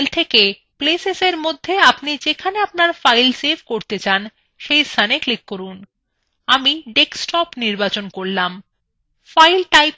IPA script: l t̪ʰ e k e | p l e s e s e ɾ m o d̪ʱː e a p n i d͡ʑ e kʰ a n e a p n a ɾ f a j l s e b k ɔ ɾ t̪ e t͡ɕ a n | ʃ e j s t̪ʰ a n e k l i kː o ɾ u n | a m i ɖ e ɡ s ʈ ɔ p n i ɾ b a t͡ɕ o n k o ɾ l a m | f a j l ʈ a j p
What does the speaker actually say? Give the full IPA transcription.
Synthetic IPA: l t̪ʰ e k e | p l e s e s e ɾ m o d̪ʱː e a p n i d͡ʑ e kʰ a n e a p n a ɾ f a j l s e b k o ɾ t̪ e t͡ɕ a n | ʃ e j s t̪ʰ a n e k l i kː o ɾ u n | a m i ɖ e k s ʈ ɔ p n i ɾ b a t͡ɕ o n k o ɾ l a m | f a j l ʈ a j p